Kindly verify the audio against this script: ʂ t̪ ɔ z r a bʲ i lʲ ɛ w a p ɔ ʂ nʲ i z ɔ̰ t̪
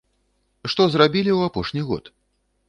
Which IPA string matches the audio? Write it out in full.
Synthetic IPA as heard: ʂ t̪ ɔ z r a bʲ i lʲ i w a p ɔ ʂ nʲ i ɣ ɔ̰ t̪